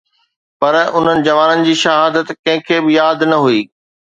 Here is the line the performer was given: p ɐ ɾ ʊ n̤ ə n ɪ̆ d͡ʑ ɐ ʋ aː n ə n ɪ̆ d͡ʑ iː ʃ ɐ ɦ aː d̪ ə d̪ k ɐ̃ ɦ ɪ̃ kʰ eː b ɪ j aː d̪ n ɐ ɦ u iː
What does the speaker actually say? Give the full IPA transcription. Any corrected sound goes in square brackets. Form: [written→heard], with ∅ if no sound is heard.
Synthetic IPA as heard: p ɐ ɾ ʊ n̤ ə n ɪ̆ d͡ʑ ɐ ʋ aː n ə n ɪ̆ d͡ʑ iː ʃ ɐ ɦ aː d̪ ə [d̪→t̪] k ɐ̃ ɦ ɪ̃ kʰ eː b ɪ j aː d̪ n ɐ ɦ u iː